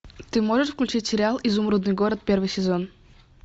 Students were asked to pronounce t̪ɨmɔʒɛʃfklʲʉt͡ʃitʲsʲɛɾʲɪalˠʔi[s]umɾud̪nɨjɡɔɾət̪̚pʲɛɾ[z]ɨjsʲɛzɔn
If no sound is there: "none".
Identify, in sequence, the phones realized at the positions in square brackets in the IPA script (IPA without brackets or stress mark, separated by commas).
z, v